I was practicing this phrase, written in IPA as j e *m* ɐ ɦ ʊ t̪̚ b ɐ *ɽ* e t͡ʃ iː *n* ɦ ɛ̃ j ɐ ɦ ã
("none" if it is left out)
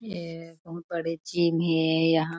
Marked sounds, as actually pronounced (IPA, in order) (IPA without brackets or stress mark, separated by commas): b, ɽ, m